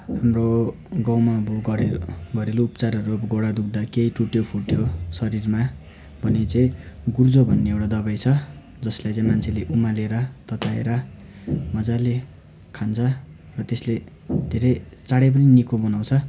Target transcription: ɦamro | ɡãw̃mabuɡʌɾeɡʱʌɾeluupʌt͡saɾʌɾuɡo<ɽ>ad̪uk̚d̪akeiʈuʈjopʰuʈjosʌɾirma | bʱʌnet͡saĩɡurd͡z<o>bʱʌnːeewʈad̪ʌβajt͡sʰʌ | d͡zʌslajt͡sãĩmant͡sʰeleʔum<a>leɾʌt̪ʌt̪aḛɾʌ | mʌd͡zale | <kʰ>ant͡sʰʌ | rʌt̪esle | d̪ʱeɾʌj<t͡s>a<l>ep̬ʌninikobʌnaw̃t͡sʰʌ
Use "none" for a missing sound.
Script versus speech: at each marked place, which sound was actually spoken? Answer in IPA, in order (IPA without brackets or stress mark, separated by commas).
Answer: ɽ, o, a, kʰ, t͡s, ɽ